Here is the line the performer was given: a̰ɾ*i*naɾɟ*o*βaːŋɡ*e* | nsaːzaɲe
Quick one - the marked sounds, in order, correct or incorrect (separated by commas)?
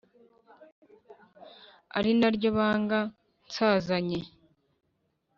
correct, correct, incorrect